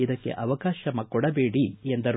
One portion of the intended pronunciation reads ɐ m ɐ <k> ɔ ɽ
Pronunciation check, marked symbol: correct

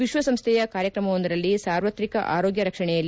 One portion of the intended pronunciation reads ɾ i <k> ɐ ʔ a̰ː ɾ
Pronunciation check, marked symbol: correct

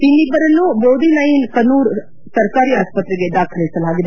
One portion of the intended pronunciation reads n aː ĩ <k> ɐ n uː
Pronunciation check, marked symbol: correct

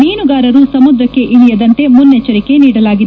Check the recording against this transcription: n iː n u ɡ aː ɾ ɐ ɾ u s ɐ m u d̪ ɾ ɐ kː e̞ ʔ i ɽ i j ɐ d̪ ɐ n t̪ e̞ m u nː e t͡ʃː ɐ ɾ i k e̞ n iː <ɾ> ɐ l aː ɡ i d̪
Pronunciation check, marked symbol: incorrect: ɽ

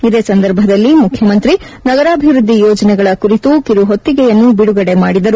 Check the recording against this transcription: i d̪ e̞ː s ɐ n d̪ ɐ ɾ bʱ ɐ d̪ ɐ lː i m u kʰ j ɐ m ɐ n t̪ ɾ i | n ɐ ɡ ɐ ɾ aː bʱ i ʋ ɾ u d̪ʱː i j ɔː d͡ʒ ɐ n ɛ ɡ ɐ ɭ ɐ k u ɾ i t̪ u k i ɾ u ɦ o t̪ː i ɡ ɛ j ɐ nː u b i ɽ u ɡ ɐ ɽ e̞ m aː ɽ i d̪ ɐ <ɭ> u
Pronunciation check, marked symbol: incorrect: ɾ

